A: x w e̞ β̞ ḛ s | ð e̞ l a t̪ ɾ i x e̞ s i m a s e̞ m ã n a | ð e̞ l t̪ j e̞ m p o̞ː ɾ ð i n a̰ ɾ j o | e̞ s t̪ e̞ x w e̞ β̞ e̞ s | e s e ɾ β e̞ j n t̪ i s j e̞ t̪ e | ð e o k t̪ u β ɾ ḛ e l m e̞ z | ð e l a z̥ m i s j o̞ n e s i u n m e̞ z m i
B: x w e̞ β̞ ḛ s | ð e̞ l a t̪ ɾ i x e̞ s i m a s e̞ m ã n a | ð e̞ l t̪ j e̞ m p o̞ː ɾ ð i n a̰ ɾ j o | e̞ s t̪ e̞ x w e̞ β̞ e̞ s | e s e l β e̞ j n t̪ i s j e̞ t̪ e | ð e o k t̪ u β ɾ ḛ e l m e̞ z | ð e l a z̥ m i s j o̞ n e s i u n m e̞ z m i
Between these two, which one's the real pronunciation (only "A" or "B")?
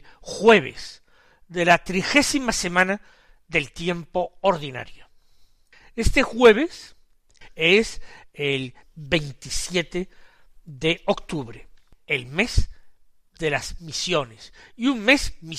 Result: B